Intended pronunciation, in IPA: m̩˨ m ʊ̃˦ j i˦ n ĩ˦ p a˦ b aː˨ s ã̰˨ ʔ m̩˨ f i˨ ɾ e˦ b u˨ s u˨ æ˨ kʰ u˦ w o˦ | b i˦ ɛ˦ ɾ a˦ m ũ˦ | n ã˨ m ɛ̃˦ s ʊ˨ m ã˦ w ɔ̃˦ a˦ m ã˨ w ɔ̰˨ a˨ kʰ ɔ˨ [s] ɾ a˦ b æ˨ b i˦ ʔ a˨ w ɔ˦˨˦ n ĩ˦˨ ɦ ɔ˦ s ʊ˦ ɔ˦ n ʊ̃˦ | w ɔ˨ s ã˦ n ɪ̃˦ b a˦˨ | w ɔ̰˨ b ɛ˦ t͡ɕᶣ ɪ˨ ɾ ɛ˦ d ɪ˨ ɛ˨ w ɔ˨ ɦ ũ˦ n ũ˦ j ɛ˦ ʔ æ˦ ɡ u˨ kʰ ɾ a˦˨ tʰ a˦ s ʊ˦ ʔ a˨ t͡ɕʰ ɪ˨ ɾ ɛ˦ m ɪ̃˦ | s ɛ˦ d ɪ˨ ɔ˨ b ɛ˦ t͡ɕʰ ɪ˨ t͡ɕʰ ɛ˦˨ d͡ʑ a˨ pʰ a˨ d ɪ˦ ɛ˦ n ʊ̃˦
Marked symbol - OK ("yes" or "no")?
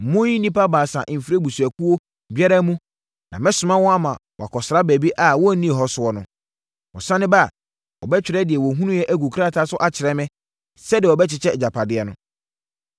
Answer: yes